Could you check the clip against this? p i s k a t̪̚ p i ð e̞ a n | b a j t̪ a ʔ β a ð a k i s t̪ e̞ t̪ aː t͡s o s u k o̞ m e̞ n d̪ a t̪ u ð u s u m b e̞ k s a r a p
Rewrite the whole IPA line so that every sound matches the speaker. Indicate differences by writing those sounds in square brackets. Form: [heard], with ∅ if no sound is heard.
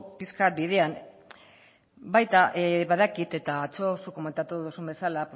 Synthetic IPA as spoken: p i s k a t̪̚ [b] i ð e̞ a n | b a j t̪ a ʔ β a ð a k i [∅] t̪ e̞ t̪ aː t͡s o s u k o̞ m e̞ n [t̪] a t̪ u ð u s u m b e̞ [∅] s a [l] a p